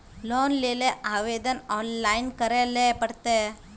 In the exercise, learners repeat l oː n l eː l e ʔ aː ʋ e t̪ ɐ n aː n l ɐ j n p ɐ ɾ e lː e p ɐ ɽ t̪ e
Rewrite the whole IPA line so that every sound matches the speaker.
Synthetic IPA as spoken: l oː n l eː l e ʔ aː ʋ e d̪ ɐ n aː n l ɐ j n k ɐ ɾ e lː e p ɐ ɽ t̪ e